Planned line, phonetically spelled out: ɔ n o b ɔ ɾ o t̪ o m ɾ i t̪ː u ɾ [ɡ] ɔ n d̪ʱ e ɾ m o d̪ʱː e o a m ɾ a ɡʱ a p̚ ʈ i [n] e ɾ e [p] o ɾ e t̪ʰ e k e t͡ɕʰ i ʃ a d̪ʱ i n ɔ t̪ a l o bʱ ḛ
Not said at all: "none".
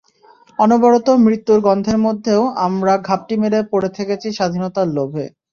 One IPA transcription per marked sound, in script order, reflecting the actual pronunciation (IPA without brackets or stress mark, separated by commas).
ɡ, m, p